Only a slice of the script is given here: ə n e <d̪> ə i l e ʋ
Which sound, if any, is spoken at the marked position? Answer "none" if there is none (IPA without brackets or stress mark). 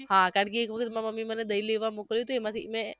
d̪